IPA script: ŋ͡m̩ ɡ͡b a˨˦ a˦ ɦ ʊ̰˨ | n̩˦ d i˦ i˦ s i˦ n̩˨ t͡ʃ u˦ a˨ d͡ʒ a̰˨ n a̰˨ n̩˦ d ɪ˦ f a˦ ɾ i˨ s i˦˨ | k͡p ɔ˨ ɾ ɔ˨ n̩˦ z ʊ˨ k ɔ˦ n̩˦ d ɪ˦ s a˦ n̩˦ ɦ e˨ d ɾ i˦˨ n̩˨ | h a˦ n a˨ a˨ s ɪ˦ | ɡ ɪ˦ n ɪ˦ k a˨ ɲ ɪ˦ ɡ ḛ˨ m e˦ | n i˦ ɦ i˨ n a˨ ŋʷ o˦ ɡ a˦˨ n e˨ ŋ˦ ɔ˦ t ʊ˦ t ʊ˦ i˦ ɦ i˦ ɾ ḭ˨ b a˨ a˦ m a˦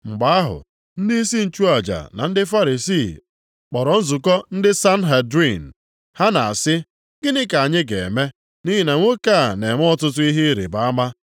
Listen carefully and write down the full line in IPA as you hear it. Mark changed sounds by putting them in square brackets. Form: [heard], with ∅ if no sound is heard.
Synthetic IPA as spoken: ŋ͡m̩ ɡ͡b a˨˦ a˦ ɦ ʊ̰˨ | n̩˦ d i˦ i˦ s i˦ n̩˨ t͡ʃ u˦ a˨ d͡ʒ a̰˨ n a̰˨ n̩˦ d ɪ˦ f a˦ ɾ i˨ s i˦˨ | k͡p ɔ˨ ɾ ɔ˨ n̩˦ z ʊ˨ k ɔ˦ n̩˦ d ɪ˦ s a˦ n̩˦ ɦ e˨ d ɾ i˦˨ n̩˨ | h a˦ n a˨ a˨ s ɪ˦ | ɡ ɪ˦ n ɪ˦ k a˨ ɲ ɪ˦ ɡ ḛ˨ m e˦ | n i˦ ɦ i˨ n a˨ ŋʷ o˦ [k] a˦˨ n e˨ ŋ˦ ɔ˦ t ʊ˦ t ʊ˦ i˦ ɦ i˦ ɾ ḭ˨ b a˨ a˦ m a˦